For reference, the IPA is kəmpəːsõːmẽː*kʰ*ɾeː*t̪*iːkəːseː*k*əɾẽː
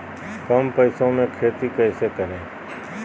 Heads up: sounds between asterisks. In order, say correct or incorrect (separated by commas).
correct, correct, correct